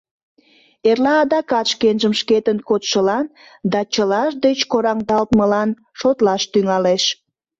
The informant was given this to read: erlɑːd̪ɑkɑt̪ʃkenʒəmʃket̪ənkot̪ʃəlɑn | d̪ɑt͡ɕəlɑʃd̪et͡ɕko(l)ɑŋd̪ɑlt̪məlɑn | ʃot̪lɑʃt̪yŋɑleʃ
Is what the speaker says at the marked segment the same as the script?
no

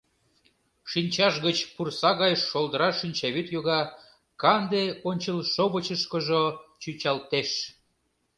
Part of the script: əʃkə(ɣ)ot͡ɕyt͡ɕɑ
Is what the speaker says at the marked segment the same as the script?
no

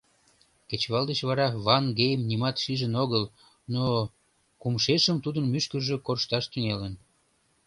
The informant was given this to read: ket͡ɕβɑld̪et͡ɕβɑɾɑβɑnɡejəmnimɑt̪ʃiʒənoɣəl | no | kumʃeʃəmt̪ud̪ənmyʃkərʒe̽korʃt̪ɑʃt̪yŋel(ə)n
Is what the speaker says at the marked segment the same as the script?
yes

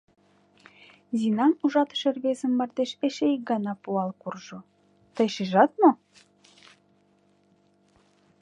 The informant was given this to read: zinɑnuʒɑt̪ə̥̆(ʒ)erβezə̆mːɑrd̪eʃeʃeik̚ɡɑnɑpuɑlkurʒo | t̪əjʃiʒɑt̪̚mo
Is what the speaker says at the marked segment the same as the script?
no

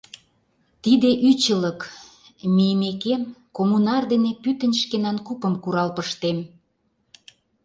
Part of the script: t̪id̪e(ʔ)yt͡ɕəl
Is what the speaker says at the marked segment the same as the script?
yes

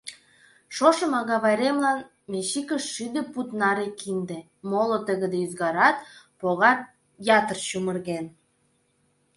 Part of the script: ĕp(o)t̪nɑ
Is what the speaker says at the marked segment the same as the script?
no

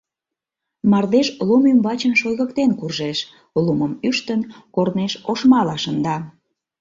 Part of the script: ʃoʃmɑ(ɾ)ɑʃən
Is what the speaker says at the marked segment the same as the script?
no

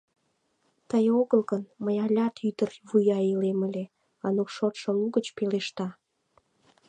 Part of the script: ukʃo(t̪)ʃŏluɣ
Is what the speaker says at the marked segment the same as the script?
yes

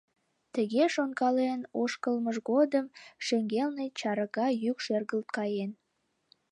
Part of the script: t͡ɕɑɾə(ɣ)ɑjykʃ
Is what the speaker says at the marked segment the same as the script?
yes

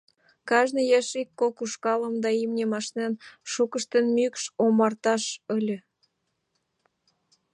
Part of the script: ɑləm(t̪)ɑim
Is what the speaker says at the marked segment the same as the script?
no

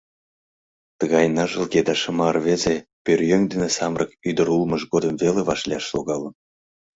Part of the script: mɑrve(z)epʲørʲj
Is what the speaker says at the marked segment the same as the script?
yes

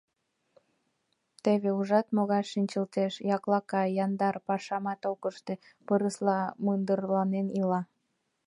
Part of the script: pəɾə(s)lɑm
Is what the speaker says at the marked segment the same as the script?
yes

